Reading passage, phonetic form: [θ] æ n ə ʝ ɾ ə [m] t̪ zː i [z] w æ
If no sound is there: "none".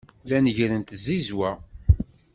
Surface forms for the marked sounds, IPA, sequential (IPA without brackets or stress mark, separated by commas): ð, n, z